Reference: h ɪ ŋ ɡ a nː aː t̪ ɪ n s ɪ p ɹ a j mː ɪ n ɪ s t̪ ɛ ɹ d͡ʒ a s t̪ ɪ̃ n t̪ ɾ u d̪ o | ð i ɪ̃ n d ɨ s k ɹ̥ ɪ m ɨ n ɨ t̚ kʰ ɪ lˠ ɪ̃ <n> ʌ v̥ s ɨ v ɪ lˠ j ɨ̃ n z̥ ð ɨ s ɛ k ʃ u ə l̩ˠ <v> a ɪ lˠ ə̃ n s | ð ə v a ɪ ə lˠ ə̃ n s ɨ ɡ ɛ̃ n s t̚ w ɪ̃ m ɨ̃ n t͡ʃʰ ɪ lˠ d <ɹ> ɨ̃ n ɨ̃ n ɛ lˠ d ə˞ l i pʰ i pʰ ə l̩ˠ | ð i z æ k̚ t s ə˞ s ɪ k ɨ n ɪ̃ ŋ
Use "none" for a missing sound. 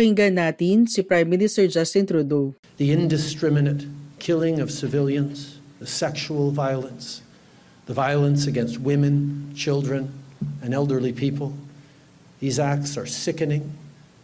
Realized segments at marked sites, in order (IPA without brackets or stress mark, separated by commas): ŋ, v, ɹ